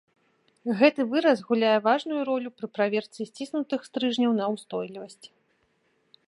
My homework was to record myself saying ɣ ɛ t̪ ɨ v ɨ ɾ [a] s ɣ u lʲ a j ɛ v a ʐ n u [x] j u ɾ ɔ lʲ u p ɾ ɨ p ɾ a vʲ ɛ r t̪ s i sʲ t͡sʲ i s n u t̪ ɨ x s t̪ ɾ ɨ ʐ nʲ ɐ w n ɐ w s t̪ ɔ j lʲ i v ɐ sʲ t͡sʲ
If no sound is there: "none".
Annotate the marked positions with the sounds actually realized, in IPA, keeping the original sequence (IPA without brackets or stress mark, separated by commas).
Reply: ɐ, none